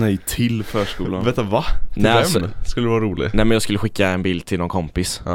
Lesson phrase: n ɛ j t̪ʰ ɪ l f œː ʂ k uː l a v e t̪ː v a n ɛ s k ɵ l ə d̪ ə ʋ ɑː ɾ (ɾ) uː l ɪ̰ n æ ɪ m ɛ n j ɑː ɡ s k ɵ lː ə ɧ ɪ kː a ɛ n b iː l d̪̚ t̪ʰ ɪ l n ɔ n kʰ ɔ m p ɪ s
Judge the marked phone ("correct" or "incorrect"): correct